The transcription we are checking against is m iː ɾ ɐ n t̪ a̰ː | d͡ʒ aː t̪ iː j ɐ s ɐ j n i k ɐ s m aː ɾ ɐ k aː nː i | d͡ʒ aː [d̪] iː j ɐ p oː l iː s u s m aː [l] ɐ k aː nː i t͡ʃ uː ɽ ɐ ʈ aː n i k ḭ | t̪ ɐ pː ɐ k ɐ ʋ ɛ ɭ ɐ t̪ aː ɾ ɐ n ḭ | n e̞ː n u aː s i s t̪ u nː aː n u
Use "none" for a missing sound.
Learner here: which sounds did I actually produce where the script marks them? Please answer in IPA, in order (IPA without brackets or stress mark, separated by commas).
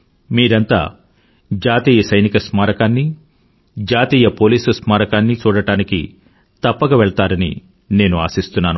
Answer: t̪, ɾ